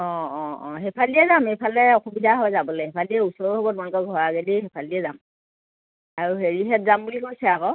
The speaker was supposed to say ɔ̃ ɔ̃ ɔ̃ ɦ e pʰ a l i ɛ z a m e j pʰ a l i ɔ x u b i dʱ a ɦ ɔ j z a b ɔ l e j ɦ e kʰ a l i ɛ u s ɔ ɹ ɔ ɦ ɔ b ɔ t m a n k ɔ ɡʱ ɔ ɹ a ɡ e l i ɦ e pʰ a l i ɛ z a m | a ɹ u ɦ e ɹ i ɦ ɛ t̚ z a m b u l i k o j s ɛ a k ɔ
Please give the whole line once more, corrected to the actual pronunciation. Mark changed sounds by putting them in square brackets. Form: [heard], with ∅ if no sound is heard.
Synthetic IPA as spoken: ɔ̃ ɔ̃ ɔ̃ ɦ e pʰ a l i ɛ z a m e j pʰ a l [ɛ] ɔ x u b i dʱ a ɦ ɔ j z a b ɔ l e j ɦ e [pʰ] a l i ɛ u s ɔ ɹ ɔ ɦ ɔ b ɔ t m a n k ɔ ɡʱ ɔ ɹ a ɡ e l i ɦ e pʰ a l i ɛ z a m | a ɹ u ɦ e ɹ i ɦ ɛ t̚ z a m b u l i k o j s ɛ a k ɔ